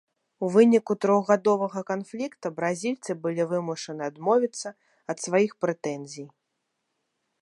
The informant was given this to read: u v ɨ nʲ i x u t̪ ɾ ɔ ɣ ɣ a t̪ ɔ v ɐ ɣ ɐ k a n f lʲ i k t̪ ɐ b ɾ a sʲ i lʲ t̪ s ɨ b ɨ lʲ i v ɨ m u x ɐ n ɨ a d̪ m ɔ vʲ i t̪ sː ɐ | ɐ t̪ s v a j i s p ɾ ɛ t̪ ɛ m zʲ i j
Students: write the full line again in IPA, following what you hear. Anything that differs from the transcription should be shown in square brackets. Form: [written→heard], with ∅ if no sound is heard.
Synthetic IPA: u v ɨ nʲ i [x→k] u t̪ ɾ ɔ ɣ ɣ a [t̪→d̪] ɔ v ɐ ɣ ɐ k a n f lʲ i k t̪ ɐ b ɾ a [sʲ→zʲ] i lʲ t̪ s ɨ b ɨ lʲ i v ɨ m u [x→ʂ] ɐ n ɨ a d̪ m ɔ vʲ i t̪ sː ɐ | ɐ t̪ s v a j i [s→x] p ɾ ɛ t̪ ɛ [m→n] zʲ i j

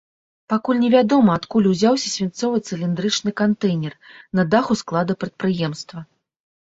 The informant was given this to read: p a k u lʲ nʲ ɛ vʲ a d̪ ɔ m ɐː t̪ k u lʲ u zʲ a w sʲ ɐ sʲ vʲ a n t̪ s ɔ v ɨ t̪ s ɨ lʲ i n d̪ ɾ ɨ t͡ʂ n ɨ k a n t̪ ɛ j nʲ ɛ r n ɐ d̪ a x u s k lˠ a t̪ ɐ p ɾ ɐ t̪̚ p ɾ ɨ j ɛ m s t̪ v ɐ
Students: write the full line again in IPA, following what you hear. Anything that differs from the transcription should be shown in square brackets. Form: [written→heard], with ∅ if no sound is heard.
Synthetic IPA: p a k u lʲ nʲ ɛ vʲ a d̪ ɔ m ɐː t̪ k u lʲ u zʲ a w sʲ ɐ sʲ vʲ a n t̪ s ɔ v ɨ t̪ s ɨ lʲ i n d̪ ɾ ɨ t͡ʂ n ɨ k a n t̪ ɛ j nʲ ɛ r n ɐ d̪ a x u s k lˠ a [t̪→d̪] ɐ p ɾ ɐ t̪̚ p ɾ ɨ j ɛ m s t̪ v ɐ

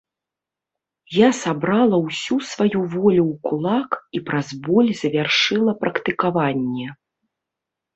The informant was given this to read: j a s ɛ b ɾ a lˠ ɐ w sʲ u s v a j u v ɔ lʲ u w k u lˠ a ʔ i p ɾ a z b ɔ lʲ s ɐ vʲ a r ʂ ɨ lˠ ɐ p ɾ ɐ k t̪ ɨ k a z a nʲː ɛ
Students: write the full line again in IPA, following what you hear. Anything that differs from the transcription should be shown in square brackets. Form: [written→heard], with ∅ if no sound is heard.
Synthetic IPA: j a s [ɛ→a] b ɾ a lˠ ɐ w sʲ u s v a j u v ɔ lʲ u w k u lˠ a [ʔ→k] i p ɾ a z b ɔ lʲ [s→z] ɐ vʲ a r ʂ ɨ lˠ ɐ p ɾ ɐ k t̪ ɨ k a [z→v] a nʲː ɛ

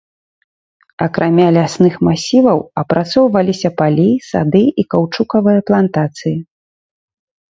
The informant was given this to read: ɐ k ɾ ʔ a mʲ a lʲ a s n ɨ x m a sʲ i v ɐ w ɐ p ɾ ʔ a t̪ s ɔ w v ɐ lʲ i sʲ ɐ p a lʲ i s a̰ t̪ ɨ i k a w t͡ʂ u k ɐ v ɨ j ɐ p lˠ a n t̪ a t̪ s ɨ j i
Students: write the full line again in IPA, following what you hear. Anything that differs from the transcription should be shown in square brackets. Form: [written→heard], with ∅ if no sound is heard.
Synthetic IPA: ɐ k ɾ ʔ a mʲ a lʲ a s n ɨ x m a sʲ i v ɐ w ɐ p ɾ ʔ a t̪ s ɔ w v ɐ lʲ i sʲ ɐ p a lʲ i s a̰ [t̪→d̪] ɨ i k a w t͡ʂ u k ɐ v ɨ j ɐ p lˠ a n t̪ a t̪ s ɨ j i

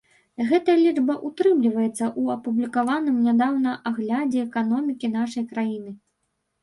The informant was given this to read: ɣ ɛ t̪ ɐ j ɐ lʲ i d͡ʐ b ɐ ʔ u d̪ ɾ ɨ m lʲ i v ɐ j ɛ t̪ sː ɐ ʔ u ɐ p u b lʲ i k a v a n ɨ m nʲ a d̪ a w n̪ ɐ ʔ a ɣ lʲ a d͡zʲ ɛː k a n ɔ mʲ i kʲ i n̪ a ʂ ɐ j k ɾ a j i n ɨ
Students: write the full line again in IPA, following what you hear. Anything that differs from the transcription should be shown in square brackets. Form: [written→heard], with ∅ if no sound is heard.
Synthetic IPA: ɣ ɛ t̪ ɐ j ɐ lʲ i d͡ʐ b ɐ ʔ u [d̪→t̪] ɾ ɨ m lʲ i v ɐ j ɛ t̪ sː ɐ ʔ u ɐ p u b lʲ i k a v a n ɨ m nʲ a d̪ a w n̪ ɐ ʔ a ɣ lʲ a d͡zʲ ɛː k a n ɔ mʲ i kʲ i n̪ a ʂ ɐ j k ɾ a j i n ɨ

